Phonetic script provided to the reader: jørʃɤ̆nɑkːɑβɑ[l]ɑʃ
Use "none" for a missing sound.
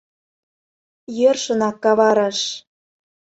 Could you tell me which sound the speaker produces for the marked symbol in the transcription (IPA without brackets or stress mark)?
ɾ